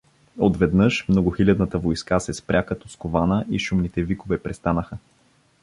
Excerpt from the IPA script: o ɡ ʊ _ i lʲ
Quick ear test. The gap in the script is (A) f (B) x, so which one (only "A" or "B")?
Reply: B